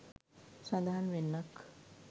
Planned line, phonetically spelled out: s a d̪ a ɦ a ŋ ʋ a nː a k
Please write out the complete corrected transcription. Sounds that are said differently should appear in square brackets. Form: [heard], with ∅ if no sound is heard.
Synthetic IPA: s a d̪ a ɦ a [n] ʋ [e] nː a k